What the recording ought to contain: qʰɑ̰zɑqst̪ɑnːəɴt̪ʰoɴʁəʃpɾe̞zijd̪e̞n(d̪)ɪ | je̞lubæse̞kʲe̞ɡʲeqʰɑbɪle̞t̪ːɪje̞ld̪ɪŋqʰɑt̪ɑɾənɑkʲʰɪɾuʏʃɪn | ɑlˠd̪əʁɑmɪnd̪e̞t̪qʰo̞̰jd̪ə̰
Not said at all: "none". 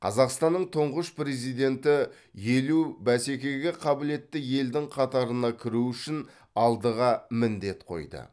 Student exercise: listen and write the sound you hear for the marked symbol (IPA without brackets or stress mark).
t̪